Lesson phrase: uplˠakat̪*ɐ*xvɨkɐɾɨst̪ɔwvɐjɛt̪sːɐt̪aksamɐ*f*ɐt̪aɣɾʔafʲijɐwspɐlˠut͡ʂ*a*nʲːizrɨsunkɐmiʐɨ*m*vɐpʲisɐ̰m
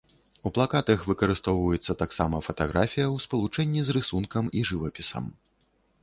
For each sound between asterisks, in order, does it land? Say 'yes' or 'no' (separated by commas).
yes, yes, no, no